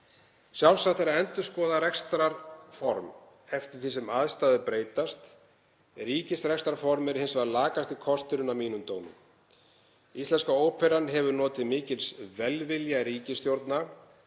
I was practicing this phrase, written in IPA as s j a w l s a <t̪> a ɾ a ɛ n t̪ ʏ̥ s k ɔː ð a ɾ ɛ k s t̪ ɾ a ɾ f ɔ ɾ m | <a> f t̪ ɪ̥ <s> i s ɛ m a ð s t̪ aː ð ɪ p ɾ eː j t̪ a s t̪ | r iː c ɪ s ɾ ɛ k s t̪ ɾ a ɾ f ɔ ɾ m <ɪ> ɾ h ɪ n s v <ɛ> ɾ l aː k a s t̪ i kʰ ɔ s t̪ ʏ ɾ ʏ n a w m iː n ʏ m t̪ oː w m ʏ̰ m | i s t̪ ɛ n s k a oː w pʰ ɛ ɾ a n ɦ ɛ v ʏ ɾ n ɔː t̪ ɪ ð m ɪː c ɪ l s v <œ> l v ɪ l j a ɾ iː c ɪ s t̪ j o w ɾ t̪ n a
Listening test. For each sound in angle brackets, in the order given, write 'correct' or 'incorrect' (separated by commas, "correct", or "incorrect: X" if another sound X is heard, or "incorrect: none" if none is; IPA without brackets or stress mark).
correct, incorrect: ɛ, incorrect: θ, correct, incorrect: a, incorrect: ɛ